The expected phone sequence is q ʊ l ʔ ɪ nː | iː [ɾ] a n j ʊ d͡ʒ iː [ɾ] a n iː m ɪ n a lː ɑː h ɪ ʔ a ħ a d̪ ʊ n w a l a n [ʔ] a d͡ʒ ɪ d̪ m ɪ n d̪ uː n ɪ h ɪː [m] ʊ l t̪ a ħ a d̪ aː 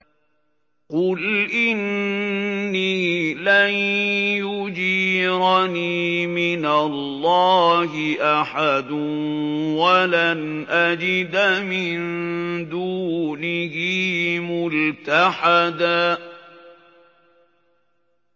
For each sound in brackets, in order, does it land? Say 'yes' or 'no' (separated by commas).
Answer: no, yes, yes, yes